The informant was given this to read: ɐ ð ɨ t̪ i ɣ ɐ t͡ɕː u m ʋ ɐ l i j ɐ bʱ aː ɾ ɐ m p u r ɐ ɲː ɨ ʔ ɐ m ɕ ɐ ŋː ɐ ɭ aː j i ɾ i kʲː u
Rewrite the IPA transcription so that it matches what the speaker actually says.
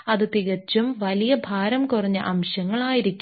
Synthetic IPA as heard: ɐ ð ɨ t̪ i ɣ ɐ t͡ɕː u m ʋ ɐ l i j ɐ bʱ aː ɾ ɐ m k u r ɐ ɲː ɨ ʔ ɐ m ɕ ɐ ŋː ɐ ɭ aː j i ɾ i kʲː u

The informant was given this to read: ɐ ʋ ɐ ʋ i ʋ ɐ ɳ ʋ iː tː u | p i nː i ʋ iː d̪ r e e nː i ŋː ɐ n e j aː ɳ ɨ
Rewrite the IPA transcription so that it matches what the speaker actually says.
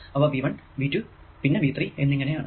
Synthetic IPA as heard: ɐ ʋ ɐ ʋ i ʋ ɐ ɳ ʋ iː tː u | p i nː e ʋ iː t̪ r i e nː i ŋː ɐ n e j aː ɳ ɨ

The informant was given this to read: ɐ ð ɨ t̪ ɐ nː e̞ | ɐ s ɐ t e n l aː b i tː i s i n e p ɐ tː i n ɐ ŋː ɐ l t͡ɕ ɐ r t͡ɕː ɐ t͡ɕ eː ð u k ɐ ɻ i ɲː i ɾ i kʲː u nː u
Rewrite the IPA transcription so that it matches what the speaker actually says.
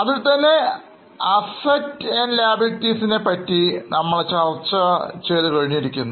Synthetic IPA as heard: ɐ ð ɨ t̪ ɐ nː e̞ | ɐ s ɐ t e n l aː b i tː i s i n e p ɐ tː i n ɐ mː ɐ ɭ t͡ɕ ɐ r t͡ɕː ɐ t͡ɕ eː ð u k ɐ ɻ i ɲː i ɾ i kʲː u nː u

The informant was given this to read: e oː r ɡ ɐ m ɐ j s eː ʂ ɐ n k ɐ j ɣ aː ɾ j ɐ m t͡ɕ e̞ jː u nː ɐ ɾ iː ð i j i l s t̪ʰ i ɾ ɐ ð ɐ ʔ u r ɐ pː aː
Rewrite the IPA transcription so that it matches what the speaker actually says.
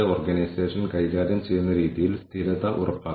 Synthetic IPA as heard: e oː r ɡ ɐ n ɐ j s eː ʂ ɐ n k ɐ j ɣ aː ɾ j ɐ m t͡ɕ e̞ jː u nː ɐ ɾ iː ð i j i l s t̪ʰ i ɾ ɐ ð ɐ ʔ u r ɐ pː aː

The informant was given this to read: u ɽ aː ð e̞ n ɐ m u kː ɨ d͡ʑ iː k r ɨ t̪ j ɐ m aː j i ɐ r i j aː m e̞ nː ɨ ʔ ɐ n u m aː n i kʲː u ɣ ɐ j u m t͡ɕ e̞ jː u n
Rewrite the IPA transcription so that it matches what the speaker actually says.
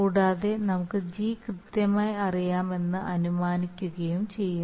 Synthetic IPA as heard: uː ɽ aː ð e̞ n ɐ m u kː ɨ d͡ʑ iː k r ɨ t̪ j ɐ m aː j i ɐ r i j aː m e̞ nː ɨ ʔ ɐ n u m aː n i kʲː u ɣ ɐ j u m t͡ɕ e̞ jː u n

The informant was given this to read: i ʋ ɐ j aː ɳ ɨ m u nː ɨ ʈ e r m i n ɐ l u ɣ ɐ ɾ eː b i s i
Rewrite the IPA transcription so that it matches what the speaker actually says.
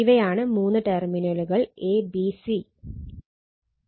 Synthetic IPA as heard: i ʋ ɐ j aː ɳ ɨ m uː nː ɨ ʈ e r m i n ɐ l u ɣ ɐ ɭ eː b i s i

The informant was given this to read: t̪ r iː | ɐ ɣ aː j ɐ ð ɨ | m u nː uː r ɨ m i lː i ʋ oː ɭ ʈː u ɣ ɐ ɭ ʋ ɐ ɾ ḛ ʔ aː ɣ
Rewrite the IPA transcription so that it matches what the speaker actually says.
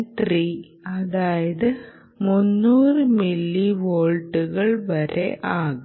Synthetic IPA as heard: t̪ r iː | ɐ ð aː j ɐ ð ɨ | m u nː uː r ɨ m i lː i ʋ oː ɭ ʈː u ɣ ɐ ɭ ʋ ɐ ɾ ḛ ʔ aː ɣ

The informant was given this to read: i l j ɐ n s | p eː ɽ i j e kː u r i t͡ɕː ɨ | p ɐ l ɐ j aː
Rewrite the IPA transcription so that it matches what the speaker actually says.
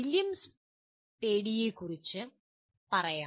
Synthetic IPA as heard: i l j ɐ m s | p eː ɽ i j e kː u r i t͡ɕː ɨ | p ɐ r ɐ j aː

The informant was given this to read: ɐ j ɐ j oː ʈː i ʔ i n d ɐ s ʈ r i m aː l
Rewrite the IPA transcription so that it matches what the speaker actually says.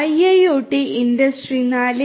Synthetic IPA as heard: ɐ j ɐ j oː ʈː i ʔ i n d ɐ s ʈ r i n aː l

